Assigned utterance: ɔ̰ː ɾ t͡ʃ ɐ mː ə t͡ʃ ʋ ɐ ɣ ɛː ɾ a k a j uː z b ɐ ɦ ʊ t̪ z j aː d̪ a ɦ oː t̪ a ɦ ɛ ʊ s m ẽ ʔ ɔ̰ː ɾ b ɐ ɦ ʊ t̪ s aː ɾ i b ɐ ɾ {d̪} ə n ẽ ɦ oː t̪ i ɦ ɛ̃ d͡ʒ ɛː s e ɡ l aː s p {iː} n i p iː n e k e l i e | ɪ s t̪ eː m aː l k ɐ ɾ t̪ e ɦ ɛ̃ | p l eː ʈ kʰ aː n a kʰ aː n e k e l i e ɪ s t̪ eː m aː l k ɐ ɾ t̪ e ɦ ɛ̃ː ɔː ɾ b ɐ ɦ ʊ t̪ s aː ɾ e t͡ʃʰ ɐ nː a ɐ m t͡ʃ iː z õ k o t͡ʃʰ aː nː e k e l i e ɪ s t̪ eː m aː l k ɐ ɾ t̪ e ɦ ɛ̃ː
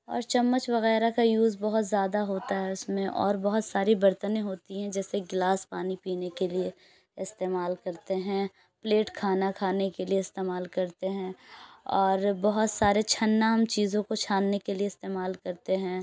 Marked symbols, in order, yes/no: no, no

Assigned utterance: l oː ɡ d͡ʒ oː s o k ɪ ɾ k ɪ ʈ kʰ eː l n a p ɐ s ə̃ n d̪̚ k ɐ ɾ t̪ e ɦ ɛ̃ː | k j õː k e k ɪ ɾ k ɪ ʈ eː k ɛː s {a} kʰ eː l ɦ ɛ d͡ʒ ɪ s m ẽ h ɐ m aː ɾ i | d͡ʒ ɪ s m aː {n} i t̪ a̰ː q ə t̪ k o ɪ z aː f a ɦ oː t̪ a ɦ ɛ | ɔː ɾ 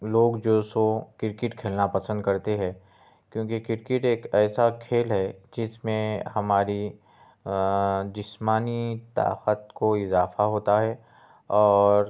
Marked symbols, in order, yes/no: yes, yes

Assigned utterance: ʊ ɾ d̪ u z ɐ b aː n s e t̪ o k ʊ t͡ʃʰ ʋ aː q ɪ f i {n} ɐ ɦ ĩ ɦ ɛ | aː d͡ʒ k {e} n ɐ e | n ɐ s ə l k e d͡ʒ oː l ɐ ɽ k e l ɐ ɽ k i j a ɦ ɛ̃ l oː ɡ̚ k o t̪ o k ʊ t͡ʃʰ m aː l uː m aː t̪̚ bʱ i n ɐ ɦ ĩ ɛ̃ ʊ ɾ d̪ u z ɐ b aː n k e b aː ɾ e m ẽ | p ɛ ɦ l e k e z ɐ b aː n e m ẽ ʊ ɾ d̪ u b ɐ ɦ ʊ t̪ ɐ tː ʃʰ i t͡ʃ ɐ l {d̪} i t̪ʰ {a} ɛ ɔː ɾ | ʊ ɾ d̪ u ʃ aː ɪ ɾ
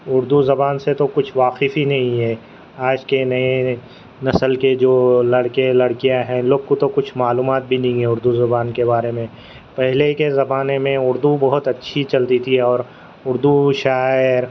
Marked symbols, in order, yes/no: yes, yes, no, no

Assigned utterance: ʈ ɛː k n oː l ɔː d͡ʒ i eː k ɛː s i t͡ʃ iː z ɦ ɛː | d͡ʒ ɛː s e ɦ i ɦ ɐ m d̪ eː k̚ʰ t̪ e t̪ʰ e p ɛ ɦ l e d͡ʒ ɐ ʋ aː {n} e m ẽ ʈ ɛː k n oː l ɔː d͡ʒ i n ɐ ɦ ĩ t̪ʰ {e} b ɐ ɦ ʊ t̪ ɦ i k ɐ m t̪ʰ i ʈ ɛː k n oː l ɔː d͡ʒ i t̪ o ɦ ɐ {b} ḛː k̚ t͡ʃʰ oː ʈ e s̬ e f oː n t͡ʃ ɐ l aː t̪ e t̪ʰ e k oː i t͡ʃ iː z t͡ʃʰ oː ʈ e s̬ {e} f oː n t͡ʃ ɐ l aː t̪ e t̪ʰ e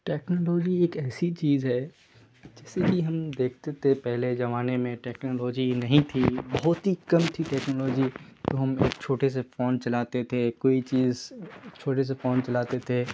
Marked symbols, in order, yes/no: yes, no, no, yes

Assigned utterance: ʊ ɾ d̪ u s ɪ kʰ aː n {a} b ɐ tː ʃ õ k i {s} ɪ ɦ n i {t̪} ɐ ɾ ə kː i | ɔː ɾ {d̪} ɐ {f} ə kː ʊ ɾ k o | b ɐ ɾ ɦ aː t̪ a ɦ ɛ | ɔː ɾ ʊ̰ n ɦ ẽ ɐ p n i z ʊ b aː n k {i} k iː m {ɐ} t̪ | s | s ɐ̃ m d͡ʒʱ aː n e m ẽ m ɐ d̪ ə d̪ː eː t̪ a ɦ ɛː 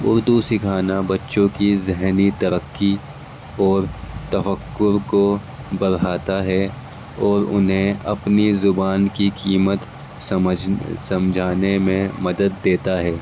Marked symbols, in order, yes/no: yes, no, yes, no, yes, yes, no

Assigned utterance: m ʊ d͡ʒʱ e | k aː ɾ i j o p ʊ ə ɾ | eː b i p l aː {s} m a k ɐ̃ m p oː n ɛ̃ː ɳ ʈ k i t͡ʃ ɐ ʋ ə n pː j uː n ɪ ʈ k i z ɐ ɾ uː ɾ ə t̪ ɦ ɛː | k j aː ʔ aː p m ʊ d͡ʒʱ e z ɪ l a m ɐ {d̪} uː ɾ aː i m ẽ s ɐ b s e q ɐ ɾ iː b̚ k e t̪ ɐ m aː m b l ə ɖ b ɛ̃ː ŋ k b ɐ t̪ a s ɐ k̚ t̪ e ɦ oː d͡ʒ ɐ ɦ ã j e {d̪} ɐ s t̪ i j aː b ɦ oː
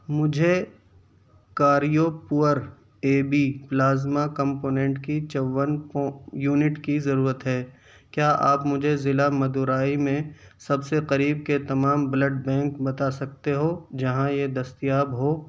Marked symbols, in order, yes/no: no, yes, yes

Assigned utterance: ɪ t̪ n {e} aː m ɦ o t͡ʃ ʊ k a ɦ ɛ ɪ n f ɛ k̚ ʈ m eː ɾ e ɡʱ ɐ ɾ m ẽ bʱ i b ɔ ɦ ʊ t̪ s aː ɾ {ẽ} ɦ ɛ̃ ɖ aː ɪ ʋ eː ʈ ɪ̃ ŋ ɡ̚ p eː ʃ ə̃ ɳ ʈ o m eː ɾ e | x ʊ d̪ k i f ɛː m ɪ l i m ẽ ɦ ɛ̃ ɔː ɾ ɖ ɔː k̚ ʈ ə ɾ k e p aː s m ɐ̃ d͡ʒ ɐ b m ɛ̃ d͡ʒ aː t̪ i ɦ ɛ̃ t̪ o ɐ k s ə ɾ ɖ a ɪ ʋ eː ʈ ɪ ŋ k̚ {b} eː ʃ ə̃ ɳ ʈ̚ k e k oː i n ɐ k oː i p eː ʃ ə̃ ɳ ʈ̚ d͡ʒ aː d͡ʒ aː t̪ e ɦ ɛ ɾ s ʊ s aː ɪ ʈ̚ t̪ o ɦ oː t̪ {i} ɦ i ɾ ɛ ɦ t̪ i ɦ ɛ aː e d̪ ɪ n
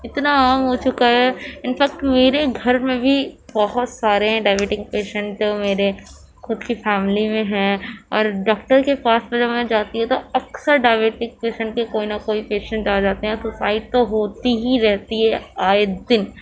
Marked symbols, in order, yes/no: no, no, no, yes

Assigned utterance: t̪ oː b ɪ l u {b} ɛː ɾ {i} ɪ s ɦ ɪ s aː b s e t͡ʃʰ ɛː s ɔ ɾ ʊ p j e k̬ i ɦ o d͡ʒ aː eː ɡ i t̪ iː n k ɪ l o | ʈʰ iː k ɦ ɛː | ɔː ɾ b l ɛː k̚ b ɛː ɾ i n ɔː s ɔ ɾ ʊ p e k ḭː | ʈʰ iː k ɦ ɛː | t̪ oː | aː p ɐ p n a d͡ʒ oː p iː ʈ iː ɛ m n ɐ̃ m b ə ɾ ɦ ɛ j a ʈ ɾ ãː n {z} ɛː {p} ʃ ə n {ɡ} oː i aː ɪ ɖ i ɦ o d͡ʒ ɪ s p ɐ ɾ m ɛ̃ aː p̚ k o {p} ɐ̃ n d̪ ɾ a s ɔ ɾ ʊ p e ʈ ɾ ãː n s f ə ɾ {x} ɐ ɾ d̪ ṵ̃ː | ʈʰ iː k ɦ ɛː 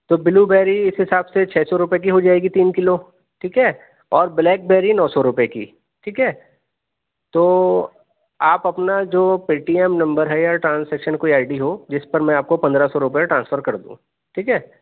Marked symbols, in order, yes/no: yes, yes, no, no, no, yes, no

